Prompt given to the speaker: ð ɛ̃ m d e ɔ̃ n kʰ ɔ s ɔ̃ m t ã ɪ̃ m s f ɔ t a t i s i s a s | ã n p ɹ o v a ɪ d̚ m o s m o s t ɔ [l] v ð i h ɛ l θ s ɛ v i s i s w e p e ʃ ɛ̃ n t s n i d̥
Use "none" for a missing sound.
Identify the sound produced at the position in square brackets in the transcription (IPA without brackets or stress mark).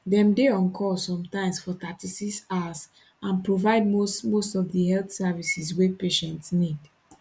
none